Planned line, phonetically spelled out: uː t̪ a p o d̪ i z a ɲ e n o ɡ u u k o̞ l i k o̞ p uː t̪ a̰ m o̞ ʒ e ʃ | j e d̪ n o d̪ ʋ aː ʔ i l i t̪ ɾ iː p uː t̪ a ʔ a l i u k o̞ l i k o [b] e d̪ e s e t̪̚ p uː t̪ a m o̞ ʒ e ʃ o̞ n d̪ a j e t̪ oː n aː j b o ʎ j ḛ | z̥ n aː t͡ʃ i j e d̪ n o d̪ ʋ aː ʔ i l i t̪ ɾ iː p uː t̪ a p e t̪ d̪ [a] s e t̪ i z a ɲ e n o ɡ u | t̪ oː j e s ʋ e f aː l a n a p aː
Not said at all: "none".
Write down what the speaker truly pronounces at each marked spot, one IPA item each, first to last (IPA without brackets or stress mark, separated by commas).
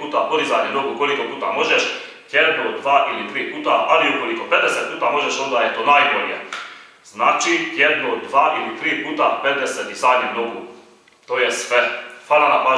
p, e